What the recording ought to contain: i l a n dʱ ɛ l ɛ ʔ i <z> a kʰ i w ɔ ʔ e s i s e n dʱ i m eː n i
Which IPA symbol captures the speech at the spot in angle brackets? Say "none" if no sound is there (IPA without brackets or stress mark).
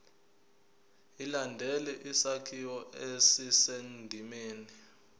s